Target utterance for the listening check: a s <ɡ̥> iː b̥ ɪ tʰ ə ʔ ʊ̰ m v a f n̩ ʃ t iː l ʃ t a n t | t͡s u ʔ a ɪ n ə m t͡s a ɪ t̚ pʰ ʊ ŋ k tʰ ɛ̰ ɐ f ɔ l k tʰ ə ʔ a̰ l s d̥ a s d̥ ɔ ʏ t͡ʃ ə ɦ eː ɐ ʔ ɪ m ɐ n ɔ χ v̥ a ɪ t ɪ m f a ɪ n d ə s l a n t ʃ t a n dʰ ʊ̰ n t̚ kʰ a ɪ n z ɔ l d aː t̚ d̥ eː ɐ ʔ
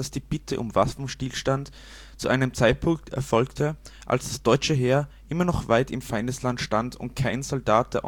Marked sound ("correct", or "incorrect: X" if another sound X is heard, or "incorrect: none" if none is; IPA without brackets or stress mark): incorrect: d̥